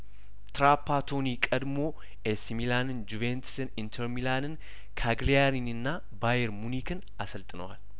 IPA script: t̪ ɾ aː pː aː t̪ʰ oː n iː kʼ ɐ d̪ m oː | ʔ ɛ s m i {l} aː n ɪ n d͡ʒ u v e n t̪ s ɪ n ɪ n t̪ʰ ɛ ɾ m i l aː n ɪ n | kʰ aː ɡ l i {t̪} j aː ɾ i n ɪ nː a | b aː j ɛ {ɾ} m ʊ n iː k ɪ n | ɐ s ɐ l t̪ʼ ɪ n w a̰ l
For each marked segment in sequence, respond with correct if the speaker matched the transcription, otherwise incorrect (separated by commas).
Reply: correct, incorrect, correct